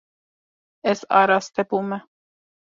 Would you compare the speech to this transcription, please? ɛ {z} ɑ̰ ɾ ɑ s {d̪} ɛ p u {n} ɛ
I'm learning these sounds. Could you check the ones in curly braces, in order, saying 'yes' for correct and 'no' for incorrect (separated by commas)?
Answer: no, no, no